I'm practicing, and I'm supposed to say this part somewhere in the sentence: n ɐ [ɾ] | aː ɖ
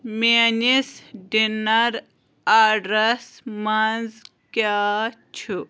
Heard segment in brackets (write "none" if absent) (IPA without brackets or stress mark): ɾ